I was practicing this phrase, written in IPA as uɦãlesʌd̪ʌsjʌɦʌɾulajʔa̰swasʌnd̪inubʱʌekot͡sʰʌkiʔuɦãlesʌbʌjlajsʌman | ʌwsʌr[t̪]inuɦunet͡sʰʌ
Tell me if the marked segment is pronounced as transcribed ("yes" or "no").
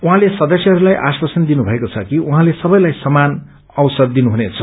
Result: no